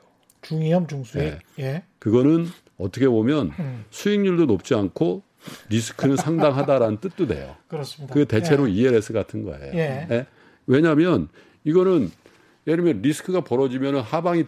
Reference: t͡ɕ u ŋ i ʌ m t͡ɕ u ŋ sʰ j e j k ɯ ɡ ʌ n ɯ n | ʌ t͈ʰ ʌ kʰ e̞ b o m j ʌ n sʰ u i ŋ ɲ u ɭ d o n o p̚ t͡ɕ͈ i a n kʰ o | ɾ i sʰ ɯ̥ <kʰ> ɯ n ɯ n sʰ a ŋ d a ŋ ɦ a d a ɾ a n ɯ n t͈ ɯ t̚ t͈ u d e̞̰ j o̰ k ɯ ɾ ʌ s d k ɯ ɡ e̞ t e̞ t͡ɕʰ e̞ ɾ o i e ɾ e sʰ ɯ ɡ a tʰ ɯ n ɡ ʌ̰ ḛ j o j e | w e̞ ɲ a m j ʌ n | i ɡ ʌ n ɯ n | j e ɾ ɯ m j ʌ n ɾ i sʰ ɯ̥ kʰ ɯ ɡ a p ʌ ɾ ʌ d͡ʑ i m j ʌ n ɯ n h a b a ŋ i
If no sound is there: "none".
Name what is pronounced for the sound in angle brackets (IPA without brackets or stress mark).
kʰ